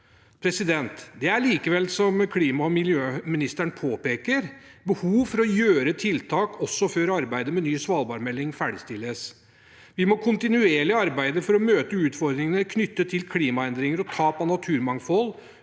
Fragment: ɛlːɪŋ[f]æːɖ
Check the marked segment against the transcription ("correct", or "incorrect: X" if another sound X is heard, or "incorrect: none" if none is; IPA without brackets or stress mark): correct